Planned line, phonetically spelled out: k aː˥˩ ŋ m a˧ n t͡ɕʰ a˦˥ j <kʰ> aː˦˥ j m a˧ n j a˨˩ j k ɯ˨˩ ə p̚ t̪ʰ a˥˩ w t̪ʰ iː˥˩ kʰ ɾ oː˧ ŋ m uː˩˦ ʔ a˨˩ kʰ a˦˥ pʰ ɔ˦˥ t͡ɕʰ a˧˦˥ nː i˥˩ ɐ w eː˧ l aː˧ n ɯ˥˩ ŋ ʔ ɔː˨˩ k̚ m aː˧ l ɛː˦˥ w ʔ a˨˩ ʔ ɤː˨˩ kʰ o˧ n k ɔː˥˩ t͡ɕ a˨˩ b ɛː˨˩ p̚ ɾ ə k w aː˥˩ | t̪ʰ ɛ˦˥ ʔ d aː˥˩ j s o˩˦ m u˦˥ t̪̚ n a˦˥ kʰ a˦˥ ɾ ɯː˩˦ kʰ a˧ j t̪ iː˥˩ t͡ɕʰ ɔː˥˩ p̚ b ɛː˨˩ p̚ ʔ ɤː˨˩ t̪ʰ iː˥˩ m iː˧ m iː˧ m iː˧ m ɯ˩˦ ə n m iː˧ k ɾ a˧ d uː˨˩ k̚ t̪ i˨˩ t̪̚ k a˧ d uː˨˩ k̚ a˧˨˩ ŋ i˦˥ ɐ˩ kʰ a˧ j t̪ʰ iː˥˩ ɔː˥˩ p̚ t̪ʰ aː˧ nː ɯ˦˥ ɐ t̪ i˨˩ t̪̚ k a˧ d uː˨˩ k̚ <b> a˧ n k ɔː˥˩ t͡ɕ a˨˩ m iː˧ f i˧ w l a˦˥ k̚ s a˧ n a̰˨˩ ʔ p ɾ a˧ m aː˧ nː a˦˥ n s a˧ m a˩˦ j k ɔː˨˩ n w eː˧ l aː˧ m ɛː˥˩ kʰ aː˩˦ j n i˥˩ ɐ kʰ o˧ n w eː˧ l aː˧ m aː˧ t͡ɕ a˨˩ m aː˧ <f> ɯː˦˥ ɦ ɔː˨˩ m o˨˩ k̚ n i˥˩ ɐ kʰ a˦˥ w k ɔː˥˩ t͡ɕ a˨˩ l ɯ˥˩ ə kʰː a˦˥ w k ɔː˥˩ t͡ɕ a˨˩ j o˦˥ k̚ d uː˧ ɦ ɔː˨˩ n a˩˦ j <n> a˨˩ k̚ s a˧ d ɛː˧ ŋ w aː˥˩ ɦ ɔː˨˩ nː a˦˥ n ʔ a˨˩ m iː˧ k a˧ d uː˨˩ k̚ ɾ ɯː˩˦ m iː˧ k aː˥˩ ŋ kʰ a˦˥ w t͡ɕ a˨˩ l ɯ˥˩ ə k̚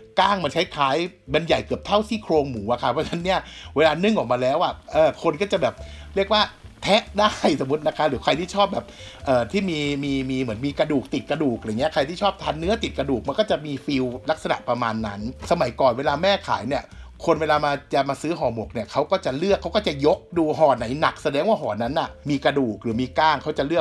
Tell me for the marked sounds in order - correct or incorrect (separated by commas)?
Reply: correct, incorrect, incorrect, correct